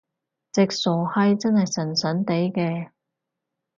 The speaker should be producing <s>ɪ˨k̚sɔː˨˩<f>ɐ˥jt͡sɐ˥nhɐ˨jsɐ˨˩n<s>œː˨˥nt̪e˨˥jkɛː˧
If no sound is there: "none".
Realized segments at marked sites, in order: t͡s, h, s

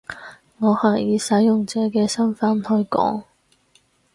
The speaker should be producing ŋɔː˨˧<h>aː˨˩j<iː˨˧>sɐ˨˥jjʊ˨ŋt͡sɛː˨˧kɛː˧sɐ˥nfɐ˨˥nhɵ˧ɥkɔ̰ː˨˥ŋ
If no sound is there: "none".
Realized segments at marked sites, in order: h, iː˨˧

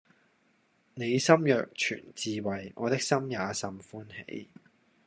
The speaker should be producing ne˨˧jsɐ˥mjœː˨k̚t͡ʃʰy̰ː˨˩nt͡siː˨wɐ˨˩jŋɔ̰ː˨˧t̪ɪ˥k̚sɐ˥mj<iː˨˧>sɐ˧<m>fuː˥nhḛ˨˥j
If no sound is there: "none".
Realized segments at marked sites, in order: aː˨˧, m

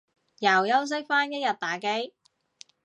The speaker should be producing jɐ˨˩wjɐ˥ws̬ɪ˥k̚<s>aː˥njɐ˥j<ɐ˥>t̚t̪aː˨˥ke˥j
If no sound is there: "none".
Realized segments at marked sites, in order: f, ɐ˨˩

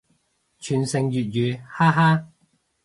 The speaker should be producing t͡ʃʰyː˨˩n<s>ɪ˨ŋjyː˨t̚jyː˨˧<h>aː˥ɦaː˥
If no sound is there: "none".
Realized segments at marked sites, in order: s, h

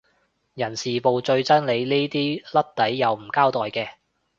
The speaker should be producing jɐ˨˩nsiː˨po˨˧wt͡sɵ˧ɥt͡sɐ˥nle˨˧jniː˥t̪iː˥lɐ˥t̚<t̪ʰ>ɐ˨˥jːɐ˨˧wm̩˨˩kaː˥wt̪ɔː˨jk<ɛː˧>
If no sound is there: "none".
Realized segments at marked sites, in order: t̪, ɛː˧

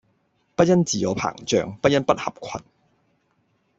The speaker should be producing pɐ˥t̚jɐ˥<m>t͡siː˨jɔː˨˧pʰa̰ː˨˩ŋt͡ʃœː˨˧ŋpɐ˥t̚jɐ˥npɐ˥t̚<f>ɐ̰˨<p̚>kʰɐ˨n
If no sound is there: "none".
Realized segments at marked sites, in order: n, h, p̚

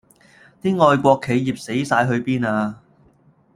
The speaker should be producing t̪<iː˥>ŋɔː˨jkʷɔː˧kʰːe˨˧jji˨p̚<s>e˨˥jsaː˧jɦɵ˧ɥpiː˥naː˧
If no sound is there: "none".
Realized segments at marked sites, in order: iː˥, s

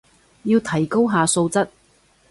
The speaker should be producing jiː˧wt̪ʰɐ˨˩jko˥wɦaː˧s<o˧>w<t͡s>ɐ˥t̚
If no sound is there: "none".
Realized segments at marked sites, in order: o˧, t͡s

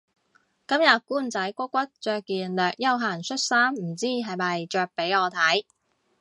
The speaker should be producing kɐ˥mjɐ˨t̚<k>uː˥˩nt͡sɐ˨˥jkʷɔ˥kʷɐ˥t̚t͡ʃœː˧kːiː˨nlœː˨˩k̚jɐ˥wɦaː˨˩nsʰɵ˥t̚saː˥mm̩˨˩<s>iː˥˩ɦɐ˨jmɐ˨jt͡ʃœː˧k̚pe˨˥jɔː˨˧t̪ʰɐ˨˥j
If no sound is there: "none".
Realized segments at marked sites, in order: k, t͡s

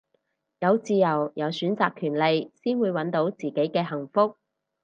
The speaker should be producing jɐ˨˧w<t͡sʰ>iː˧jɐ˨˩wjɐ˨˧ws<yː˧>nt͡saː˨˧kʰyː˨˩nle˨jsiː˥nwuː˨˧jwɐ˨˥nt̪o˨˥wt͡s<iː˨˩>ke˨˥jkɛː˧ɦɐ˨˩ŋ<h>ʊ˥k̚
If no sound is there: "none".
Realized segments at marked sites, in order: t͡s, yː˨˥, iː˨˩, f

